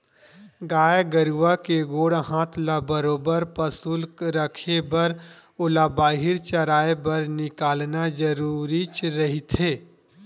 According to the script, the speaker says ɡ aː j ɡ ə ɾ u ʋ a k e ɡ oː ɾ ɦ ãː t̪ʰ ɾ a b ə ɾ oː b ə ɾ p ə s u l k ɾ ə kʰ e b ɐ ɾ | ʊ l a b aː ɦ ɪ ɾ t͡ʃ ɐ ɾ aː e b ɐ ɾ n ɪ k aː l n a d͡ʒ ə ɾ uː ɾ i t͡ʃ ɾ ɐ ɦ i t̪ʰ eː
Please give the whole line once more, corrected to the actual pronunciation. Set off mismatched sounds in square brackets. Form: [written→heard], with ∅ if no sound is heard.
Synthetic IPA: ɡ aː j ɡ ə ɾ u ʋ a k e ɡ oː [ɾ→ɽ] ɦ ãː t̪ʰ [ɾ→l] a b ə ɾ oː b ə ɾ p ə s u l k ɾ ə kʰ e b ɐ ɾ | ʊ l a b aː ɦ ɪ ɾ t͡ʃ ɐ ɾ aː e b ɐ ɾ n ɪ k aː l n a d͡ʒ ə ɾ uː ɾ i t͡ʃ ɾ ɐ ɦ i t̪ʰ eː